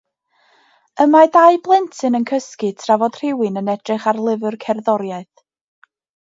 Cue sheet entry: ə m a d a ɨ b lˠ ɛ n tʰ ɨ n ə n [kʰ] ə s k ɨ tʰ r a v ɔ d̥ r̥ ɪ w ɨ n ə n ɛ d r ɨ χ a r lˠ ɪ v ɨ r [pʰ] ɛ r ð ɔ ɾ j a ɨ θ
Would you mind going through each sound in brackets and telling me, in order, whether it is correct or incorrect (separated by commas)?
correct, incorrect